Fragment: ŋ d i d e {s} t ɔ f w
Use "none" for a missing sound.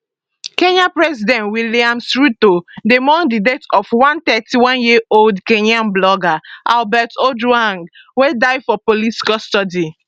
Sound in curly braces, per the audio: none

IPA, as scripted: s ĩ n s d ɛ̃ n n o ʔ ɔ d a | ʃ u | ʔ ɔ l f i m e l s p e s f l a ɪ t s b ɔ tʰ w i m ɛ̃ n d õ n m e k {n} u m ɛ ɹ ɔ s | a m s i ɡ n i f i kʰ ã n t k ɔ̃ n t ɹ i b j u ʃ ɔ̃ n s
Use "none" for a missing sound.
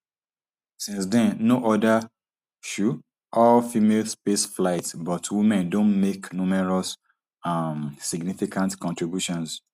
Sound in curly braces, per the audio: n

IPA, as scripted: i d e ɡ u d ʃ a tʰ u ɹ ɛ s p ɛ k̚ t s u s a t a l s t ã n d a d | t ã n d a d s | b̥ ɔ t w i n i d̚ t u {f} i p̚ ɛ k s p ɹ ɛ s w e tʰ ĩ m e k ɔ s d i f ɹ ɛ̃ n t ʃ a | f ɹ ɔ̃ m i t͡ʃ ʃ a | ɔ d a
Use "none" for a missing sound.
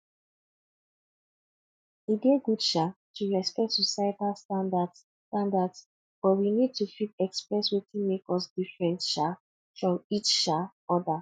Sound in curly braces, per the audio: f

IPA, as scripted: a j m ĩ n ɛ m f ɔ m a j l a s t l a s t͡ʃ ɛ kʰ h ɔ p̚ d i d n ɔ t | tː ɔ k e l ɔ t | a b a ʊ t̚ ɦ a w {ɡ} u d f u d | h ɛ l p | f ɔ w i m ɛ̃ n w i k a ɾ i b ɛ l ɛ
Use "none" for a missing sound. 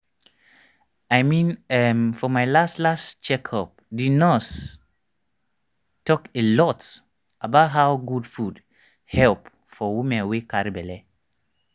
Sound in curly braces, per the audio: ɡ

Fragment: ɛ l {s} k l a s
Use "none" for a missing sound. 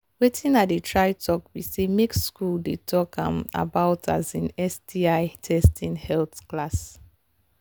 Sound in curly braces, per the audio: θ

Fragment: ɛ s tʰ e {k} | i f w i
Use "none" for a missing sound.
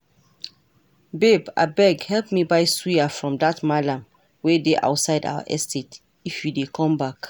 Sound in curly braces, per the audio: t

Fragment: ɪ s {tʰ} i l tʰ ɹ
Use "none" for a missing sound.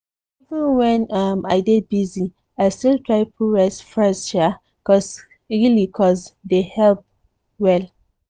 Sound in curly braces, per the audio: t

